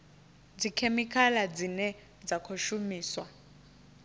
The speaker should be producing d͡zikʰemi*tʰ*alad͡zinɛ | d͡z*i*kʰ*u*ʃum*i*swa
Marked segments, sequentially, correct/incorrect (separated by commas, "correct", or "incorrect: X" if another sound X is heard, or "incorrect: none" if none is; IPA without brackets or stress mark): incorrect: kʰ, incorrect: a, incorrect: o, incorrect: iː